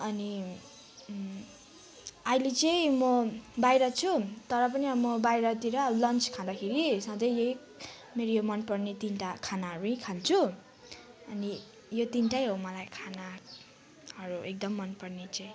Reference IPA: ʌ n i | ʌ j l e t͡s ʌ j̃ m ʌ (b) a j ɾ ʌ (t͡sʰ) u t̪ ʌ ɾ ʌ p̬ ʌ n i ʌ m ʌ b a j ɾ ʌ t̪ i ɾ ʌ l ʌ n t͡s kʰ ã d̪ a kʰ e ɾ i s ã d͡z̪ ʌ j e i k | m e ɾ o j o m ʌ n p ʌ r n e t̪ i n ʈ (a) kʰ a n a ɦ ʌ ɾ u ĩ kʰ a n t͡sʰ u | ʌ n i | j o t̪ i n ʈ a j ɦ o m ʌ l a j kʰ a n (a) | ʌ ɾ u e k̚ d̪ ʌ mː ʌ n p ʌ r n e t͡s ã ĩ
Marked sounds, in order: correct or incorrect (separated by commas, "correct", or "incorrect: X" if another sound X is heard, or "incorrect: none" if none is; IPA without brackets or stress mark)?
correct, correct, correct, correct